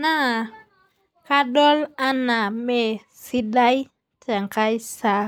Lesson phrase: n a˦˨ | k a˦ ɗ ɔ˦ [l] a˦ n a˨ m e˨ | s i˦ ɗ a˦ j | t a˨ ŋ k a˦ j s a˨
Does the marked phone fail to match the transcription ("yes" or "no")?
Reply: no